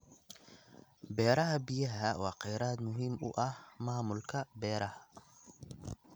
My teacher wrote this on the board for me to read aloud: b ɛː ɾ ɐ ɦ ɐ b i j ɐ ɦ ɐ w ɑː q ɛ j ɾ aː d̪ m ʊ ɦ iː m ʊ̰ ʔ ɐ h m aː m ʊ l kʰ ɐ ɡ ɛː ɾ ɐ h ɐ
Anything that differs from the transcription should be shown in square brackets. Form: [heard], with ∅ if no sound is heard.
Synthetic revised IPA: b ɛː ɾ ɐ ɦ ɐ b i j ɐ ɦ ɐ w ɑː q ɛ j ɾ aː d̪ m ʊ ɦ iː m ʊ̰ ʔ ɐ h m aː m ʊ l kʰ ɐ [b] ɛː ɾ ɐ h ɐ